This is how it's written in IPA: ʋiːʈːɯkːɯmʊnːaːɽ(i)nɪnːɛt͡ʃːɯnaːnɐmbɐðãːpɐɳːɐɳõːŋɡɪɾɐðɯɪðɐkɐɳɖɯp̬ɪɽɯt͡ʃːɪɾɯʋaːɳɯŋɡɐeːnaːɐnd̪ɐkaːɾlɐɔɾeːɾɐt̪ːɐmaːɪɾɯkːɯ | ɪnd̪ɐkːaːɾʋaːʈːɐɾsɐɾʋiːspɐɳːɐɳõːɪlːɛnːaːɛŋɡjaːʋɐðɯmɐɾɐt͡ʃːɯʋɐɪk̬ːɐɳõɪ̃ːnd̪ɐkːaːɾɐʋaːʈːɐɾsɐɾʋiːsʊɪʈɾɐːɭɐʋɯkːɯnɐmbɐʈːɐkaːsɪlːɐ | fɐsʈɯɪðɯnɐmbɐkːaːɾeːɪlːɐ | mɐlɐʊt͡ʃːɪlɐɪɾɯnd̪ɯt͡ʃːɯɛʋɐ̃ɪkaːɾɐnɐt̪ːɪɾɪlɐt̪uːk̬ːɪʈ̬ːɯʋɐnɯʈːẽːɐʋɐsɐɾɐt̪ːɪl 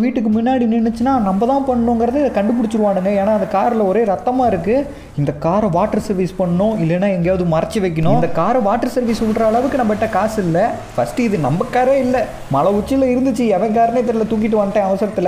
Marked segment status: correct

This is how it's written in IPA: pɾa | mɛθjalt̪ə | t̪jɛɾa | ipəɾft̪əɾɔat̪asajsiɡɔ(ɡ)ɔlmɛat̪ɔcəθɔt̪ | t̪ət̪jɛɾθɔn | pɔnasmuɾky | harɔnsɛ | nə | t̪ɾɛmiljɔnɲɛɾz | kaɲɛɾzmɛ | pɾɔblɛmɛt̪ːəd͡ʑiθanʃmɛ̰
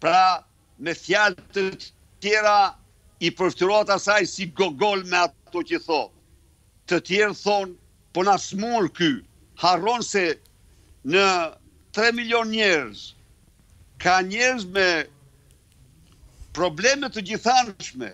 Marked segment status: correct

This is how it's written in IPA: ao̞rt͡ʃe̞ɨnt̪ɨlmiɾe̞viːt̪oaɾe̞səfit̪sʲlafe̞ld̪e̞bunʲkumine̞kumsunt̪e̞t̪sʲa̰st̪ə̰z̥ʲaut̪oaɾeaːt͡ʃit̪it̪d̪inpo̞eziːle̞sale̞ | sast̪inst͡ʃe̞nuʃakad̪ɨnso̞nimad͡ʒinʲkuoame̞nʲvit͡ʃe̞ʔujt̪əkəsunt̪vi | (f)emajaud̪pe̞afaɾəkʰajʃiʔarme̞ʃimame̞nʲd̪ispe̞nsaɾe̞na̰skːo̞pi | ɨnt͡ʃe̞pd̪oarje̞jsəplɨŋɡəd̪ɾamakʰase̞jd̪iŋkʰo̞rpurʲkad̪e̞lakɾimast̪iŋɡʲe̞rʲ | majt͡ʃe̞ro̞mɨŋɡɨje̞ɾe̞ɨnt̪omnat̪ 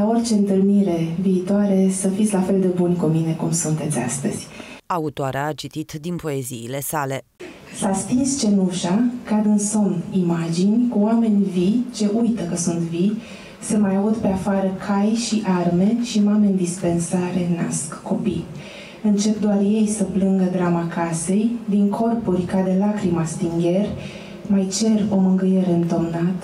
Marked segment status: incorrect: s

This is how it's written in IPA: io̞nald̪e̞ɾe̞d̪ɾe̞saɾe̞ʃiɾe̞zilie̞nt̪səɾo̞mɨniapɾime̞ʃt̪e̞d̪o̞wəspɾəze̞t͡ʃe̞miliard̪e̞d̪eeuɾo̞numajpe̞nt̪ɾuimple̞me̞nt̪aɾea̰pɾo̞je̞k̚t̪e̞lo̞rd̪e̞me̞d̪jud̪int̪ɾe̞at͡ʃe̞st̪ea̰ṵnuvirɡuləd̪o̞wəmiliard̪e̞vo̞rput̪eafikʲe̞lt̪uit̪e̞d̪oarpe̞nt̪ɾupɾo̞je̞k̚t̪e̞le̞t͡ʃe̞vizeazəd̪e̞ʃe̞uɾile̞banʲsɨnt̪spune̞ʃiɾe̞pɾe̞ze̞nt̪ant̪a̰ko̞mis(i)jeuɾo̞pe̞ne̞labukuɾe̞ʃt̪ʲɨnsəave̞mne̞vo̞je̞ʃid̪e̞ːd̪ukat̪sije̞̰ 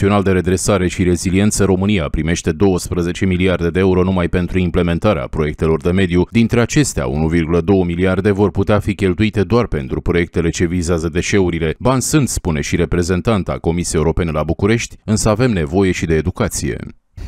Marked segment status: correct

